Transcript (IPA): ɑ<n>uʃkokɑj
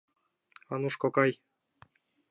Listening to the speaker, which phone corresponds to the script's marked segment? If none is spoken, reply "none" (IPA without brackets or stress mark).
n